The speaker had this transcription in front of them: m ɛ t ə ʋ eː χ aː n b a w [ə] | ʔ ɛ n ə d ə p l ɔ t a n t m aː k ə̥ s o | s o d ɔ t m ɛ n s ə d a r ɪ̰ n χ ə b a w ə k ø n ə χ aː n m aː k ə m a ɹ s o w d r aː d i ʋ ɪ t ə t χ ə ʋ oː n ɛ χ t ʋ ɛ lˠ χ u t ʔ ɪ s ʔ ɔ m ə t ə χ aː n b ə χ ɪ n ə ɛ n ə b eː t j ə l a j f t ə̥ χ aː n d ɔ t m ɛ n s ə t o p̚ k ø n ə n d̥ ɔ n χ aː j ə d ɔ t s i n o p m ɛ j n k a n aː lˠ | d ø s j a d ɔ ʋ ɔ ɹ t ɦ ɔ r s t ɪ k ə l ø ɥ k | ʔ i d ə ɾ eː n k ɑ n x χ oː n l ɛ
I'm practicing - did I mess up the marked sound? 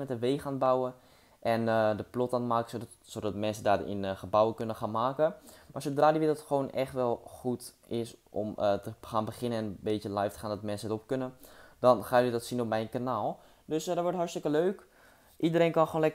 no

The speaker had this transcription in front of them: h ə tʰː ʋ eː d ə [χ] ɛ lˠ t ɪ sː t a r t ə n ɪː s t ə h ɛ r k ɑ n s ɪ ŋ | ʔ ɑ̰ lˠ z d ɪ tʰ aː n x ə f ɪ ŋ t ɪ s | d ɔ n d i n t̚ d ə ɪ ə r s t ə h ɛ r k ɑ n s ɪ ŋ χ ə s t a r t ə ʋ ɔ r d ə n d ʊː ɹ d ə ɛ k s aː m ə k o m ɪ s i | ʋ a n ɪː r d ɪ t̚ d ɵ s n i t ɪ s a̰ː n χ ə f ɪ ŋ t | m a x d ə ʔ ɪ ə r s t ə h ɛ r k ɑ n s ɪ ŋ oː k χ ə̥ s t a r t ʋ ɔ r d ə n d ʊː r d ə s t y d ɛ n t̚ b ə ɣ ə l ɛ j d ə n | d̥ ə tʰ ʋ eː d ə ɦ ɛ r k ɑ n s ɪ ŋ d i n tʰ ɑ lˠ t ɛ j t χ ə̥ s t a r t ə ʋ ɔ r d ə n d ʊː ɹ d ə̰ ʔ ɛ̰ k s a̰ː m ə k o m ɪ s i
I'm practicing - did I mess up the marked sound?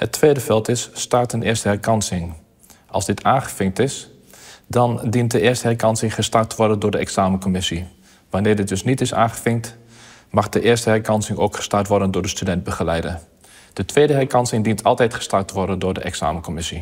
yes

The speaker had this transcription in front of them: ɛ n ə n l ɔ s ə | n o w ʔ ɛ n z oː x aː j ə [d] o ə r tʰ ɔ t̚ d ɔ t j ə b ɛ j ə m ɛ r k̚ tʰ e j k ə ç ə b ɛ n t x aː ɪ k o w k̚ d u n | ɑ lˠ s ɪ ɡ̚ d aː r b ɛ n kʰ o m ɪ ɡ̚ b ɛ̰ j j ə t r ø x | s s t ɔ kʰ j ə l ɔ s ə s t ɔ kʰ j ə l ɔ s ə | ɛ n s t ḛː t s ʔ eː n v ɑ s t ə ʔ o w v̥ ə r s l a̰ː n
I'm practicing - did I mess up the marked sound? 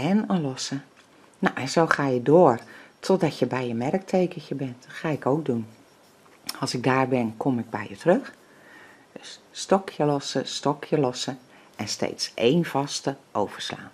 no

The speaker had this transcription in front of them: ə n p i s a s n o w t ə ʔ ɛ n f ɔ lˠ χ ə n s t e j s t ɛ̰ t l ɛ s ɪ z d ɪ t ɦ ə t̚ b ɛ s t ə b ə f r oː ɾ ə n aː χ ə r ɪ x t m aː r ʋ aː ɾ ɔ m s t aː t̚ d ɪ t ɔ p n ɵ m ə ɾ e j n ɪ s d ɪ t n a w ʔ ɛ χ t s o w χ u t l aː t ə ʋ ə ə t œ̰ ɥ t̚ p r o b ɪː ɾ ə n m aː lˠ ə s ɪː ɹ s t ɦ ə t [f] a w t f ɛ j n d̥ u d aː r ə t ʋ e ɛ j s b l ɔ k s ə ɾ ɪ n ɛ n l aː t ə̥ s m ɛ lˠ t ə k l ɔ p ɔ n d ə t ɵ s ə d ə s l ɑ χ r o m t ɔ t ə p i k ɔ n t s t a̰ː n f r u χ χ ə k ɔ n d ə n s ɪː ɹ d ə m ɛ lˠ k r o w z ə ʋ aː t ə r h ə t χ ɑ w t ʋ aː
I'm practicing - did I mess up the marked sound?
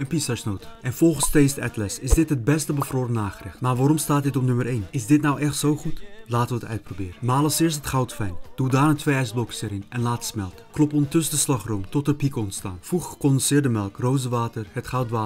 yes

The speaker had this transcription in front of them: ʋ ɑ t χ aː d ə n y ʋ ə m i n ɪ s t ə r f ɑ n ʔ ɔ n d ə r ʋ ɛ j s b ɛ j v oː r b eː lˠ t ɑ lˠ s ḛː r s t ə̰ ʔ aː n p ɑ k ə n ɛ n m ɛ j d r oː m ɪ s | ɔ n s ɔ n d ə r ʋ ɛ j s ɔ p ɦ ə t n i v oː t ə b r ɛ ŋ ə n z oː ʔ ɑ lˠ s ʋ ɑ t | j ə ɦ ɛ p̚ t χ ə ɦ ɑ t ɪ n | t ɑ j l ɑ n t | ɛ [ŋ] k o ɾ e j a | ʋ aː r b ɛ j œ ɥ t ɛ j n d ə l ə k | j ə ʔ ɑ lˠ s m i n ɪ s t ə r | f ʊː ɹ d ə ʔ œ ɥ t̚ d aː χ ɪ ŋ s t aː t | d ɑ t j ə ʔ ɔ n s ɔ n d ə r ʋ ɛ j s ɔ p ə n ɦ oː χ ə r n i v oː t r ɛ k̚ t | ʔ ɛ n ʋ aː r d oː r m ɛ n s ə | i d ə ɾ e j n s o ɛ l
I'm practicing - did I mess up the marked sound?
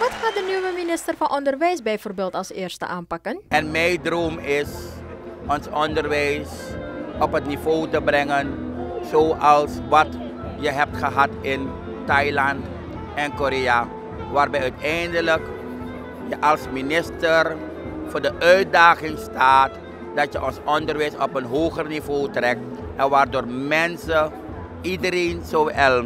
yes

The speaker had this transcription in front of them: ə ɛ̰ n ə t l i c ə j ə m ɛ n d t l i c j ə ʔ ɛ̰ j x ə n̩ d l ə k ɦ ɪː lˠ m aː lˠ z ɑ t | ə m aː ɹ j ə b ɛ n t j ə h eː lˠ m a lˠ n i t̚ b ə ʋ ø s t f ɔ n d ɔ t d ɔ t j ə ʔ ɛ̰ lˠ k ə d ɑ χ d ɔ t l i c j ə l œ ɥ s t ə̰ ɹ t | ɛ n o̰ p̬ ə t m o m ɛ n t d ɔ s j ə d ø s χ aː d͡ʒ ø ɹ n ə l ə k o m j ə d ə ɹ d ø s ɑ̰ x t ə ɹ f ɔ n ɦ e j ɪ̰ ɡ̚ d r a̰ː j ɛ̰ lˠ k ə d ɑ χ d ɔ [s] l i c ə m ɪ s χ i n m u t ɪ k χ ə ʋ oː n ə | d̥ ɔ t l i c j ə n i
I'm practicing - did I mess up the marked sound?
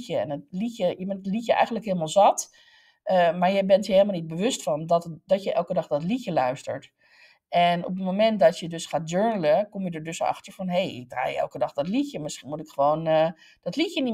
yes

